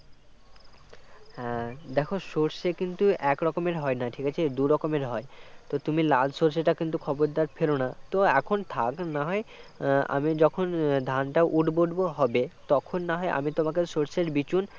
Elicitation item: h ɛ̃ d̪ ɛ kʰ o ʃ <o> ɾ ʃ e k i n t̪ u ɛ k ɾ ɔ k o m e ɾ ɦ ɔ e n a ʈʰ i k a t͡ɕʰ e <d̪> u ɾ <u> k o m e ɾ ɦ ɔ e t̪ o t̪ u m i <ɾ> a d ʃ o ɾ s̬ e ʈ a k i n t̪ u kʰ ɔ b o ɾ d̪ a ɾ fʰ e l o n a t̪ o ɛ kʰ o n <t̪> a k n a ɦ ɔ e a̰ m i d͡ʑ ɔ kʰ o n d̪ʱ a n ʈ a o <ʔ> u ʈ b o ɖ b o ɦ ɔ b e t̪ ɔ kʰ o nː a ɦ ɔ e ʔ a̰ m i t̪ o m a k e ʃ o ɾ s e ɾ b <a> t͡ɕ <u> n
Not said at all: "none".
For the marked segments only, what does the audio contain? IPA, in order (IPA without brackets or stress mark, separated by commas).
o, d̪, ɔ, l, t̪ʰ, ʔ, i, u